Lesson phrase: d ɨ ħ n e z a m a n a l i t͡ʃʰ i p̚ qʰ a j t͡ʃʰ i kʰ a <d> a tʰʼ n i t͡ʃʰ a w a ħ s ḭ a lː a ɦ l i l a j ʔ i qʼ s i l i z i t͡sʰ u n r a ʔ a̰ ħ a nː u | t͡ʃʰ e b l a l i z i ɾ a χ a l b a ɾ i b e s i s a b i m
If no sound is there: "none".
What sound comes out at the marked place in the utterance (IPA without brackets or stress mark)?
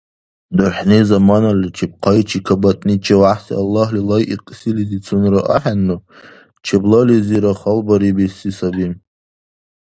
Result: b